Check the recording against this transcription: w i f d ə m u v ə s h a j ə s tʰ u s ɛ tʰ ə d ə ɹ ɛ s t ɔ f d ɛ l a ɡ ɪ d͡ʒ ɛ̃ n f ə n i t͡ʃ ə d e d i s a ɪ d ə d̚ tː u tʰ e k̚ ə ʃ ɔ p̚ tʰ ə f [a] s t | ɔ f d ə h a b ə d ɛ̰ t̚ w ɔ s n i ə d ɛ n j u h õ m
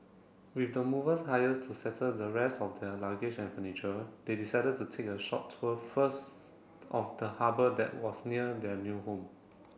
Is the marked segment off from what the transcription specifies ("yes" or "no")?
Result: yes